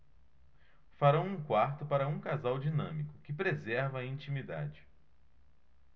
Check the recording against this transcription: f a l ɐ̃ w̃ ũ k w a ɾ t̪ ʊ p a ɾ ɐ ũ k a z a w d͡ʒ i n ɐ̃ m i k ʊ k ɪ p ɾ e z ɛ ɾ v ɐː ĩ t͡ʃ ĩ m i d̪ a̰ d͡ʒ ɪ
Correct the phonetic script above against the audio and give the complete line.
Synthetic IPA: f a ɾ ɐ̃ w̃ ũ k w a ɾ t̪ ʊ p a ɾ ɐ ũ k a z a w d͡ʒ i n ɐ̃ m i k ʊ k ɪ p ɾ e z ɛ ɾ v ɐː ĩ t͡ʃ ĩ m i d̪ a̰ d͡ʒ ɪ